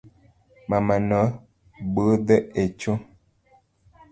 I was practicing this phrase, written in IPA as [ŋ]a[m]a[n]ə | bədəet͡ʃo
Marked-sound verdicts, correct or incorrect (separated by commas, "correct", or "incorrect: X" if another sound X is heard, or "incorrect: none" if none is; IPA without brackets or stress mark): incorrect: m, correct, correct